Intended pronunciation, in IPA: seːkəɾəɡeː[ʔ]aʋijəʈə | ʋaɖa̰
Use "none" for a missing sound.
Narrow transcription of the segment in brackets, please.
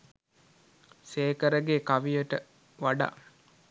k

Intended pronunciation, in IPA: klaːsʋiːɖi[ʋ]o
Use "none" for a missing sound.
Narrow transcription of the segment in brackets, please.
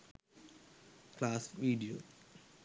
none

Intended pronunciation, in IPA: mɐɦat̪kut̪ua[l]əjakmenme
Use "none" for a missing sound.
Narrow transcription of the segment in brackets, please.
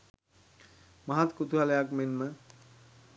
l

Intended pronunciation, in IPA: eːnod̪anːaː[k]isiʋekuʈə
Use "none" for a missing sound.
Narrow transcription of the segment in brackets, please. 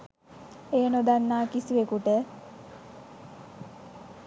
k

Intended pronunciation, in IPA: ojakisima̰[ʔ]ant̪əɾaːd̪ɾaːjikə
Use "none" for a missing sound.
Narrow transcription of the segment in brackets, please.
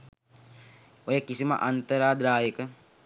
ʔ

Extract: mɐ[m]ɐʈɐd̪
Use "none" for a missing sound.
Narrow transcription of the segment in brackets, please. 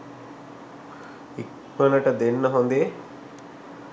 n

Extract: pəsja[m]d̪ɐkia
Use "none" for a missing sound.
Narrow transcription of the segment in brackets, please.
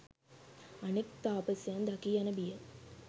n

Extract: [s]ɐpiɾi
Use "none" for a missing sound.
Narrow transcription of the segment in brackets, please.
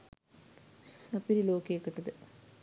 s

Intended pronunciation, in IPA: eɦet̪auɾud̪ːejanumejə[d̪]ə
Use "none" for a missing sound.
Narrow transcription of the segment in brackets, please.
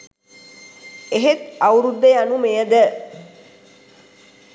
d̪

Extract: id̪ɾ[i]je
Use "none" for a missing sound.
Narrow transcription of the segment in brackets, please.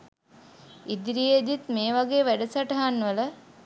i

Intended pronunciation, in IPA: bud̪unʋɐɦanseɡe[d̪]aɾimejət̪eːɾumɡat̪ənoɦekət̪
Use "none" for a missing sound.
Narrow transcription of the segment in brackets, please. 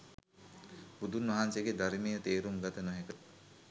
d̪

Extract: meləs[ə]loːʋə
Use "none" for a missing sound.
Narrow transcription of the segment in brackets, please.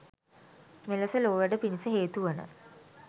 ə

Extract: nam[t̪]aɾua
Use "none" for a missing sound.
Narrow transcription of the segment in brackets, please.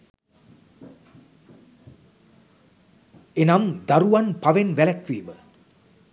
d̪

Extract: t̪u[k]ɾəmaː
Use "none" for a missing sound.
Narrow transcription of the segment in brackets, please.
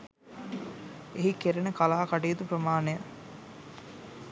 p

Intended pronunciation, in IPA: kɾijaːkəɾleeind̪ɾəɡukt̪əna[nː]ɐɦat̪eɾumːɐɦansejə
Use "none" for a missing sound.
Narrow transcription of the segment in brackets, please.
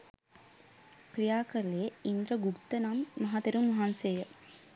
mː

